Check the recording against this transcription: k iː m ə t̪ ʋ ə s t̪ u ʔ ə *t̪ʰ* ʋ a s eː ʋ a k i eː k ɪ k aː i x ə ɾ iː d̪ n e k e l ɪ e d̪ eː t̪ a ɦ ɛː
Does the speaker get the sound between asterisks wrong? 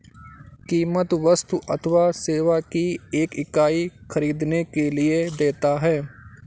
no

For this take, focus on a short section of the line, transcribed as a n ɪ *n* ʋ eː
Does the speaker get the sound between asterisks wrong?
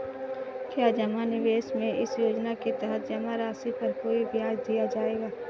yes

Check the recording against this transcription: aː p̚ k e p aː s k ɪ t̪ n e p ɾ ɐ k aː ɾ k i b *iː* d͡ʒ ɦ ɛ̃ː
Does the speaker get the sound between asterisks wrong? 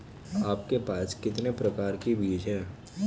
no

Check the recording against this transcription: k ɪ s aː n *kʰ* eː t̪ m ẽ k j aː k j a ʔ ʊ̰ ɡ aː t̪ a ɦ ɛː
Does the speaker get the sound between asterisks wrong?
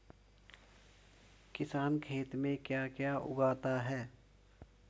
no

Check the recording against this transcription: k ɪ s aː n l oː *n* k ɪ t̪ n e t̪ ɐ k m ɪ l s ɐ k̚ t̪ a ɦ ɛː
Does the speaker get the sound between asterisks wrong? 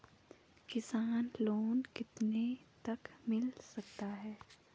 no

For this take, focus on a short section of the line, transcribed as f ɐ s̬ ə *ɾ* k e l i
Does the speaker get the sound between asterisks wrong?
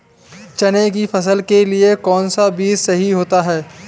yes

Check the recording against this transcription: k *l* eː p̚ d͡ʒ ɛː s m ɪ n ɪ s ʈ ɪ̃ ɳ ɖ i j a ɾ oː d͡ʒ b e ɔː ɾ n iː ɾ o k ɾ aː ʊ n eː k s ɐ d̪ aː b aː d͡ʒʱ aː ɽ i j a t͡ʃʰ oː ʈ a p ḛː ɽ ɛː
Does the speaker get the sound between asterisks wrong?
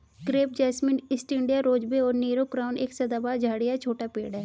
yes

